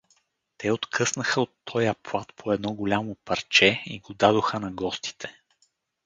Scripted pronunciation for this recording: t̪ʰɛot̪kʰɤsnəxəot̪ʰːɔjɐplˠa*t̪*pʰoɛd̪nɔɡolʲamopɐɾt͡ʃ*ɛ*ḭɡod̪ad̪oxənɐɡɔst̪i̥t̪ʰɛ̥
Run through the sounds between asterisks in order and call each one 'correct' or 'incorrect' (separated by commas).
correct, correct